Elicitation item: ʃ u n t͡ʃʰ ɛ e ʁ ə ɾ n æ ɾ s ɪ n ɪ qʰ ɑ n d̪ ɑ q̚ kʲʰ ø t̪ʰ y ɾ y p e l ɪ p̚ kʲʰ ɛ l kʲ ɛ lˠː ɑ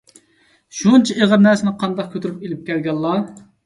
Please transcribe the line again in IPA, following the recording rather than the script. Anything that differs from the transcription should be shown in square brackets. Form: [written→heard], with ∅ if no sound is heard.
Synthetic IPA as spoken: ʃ u n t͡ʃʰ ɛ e ʁ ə ɾ n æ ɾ s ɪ n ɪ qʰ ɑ n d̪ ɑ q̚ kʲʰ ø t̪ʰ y ɾ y p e l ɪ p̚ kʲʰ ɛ l [kʲ→ɡʲ] ɛ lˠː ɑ